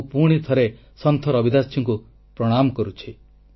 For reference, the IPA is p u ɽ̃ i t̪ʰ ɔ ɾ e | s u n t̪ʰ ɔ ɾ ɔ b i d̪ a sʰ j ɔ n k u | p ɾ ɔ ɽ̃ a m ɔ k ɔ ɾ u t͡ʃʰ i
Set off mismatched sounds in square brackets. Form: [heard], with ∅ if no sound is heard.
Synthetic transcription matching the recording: p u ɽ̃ i t̪ʰ ɔ ɾ e | s [ɔ] n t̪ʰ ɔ ɾ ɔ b i d̪ a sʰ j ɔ [ŋ] k u | p ɾ ɔ ɽ̃ a m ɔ k ɔ ɾ u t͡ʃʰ i